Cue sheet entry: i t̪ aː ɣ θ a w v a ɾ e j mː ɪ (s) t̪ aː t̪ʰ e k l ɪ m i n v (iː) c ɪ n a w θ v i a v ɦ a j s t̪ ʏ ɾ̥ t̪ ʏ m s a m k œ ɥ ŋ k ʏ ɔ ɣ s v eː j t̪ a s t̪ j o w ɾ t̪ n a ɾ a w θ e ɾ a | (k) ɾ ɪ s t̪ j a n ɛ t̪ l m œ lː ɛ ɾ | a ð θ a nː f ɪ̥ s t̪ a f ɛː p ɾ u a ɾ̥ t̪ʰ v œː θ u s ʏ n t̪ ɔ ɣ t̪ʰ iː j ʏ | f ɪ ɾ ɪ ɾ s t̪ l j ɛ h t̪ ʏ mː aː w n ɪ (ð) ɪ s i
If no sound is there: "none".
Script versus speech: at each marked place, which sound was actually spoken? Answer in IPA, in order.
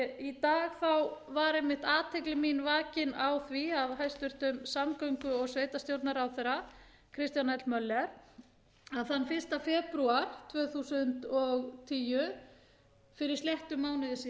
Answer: h, aː, kʰ, ð

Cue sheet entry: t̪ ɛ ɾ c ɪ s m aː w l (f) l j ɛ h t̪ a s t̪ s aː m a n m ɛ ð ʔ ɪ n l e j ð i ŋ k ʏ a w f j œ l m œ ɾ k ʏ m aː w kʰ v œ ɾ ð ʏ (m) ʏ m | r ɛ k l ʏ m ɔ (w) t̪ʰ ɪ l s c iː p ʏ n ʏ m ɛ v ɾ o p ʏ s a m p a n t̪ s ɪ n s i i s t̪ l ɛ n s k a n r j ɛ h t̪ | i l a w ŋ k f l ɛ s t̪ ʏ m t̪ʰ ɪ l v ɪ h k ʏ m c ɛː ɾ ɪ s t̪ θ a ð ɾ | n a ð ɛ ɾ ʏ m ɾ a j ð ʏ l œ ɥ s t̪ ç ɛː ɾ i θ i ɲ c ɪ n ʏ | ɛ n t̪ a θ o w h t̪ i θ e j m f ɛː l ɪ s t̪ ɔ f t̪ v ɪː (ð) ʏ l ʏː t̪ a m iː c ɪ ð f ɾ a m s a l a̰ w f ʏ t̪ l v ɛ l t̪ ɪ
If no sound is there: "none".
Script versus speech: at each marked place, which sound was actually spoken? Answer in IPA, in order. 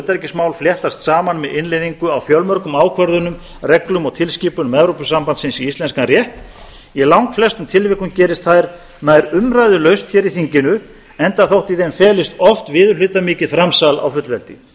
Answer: f, n, ɣ, ð

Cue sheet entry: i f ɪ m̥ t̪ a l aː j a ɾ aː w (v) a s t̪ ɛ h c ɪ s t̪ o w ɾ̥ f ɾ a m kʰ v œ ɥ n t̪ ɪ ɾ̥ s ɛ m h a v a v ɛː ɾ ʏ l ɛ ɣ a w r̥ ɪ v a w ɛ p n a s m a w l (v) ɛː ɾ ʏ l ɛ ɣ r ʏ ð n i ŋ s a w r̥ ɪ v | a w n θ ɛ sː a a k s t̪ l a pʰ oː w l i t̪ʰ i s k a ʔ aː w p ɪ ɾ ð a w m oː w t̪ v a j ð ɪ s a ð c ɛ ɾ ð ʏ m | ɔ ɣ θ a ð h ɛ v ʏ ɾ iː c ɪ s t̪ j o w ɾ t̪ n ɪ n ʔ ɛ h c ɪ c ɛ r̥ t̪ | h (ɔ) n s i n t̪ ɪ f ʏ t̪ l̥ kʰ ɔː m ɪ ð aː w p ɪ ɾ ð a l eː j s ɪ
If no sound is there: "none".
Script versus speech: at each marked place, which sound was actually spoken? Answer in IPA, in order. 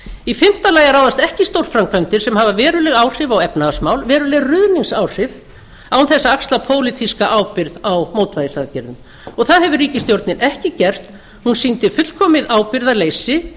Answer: ð, v, u

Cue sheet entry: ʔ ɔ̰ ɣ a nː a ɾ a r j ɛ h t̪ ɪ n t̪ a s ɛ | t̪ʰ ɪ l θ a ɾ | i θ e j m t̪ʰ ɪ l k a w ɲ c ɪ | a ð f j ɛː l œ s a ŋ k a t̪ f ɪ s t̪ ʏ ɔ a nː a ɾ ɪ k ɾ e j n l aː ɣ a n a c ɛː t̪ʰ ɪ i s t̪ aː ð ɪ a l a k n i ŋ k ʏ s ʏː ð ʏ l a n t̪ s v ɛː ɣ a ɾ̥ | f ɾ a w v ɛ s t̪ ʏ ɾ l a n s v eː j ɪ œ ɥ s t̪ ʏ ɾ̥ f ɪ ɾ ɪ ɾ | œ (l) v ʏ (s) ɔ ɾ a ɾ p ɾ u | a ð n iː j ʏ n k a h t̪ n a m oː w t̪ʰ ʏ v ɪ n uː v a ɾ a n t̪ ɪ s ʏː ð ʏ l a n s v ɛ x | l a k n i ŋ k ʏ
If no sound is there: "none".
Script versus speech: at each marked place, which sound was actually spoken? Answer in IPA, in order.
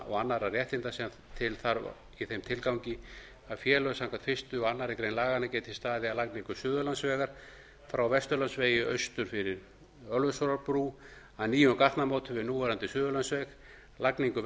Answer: l, s

